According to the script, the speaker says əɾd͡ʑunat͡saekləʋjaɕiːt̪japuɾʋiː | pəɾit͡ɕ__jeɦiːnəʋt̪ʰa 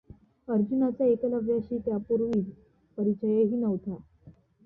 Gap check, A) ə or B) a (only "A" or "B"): A